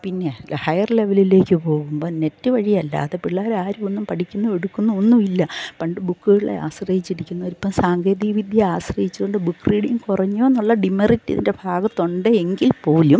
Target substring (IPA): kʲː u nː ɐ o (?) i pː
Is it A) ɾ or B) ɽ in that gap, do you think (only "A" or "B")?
A